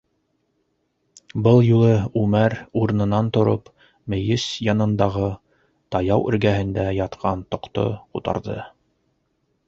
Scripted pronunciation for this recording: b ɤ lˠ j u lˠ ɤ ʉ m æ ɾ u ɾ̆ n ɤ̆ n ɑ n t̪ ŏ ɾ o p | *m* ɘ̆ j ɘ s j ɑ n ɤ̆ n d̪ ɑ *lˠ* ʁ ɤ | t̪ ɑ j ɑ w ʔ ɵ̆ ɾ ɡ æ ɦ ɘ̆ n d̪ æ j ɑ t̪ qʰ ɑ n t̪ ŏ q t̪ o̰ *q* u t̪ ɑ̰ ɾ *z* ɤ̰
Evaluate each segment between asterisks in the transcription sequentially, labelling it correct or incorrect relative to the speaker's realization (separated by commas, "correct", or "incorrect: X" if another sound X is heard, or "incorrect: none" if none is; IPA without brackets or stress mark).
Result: correct, incorrect: none, correct, incorrect: ð